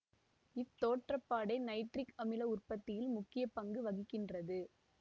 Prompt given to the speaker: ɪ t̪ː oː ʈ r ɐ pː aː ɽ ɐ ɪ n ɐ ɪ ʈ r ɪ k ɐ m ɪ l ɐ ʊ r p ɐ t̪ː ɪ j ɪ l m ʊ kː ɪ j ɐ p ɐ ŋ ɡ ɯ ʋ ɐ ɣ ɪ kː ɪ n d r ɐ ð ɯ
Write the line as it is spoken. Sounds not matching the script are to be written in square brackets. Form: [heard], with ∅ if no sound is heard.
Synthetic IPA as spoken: ɪ t̪ː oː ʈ r ɐ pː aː ɽ ɐ ɪ n ɐ ɪ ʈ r ɪ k ɐ m ɪ l ɐ ʊ r p ɐ t̪ː ɪ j ɪ l m ʊ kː ɪ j ɐ p ɐ ŋ ɡ ɯ ʋ ɐ ɣ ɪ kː ɪ n d r ɐ ð ɯ